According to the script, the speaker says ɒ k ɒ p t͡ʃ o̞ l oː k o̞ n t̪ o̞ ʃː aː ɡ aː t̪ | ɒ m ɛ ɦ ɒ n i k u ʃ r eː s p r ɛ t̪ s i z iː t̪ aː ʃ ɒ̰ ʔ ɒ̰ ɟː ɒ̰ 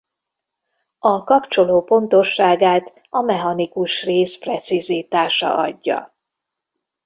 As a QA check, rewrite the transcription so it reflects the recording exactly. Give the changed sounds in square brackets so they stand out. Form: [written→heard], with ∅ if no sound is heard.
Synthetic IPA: ɒ k ɒ p t͡ʃ o̞ l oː [k→p] o̞ n t̪ o̞ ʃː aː ɡ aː t̪ | ɒ m ɛ ɦ ɒ n i k u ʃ r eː s p r ɛ t̪ s i z iː t̪ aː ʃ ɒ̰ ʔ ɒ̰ ɟː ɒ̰